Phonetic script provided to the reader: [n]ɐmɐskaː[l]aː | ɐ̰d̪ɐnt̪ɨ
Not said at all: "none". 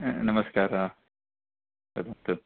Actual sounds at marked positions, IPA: n, ɾ

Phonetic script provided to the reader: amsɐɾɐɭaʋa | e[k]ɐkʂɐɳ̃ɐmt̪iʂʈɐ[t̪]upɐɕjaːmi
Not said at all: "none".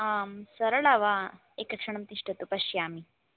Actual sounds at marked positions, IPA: k, t̪

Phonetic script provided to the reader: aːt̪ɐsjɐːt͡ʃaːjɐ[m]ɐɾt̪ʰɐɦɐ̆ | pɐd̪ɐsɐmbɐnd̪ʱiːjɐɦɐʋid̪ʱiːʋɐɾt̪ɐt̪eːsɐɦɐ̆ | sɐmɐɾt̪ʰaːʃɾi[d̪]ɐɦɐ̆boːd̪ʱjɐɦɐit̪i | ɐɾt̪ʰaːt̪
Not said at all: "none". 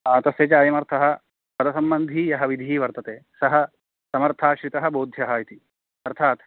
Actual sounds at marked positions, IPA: m, t̪

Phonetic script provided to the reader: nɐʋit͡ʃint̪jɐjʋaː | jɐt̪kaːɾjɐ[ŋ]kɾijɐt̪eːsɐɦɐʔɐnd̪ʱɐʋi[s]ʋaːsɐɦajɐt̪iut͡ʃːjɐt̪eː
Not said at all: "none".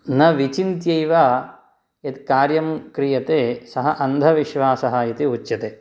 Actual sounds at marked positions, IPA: m, ʃ

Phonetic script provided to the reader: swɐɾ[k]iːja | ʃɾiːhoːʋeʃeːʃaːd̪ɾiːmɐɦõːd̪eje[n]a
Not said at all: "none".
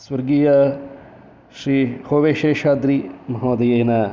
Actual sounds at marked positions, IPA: ɡ, n

